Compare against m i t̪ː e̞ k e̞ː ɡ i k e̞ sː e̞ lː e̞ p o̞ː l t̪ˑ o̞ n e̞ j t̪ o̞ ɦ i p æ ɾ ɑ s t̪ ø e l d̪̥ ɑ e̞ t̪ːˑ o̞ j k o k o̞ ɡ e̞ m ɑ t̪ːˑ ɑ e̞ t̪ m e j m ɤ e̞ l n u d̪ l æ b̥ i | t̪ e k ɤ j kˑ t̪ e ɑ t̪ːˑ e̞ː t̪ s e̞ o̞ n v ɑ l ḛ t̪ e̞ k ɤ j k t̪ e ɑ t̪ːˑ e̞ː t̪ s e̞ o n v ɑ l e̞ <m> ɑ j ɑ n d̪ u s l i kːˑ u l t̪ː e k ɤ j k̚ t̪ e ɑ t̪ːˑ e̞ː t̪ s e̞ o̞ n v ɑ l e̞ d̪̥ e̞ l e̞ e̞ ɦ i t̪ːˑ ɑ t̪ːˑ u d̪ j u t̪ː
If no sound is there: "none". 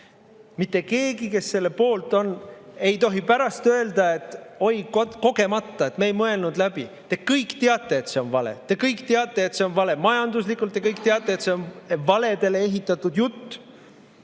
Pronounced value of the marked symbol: m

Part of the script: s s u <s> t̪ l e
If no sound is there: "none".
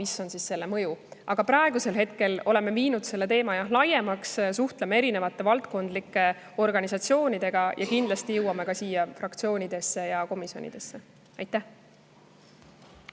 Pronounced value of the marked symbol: h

